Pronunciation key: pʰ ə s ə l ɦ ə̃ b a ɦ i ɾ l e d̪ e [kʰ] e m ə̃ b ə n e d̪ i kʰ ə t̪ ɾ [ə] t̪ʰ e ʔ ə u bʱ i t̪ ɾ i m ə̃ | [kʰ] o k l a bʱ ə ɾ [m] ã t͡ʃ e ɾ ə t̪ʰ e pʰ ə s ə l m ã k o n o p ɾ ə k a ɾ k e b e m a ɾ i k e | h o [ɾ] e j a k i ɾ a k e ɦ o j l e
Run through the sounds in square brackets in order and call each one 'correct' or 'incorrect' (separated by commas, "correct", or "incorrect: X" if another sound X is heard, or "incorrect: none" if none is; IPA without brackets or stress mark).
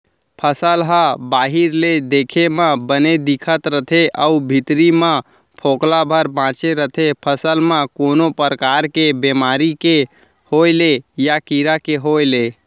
correct, correct, incorrect: pʰ, incorrect: b, incorrect: l